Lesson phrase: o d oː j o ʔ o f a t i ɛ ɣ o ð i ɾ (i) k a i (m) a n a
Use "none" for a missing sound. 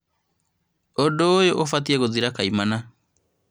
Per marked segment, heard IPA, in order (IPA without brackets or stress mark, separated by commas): a, m